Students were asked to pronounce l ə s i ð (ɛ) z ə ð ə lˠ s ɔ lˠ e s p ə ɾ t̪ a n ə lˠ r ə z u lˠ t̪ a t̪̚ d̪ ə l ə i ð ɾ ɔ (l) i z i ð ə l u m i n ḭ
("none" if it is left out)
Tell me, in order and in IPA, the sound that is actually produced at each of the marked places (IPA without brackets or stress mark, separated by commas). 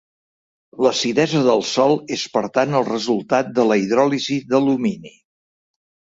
ɛ, l